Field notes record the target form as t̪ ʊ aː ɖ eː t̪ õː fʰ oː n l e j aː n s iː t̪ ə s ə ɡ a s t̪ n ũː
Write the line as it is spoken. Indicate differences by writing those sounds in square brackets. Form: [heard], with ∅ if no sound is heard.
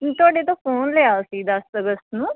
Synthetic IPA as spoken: t̪ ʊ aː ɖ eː t̪ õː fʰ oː n l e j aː [∅] s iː [d̪] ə s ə ɡ [ə] s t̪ n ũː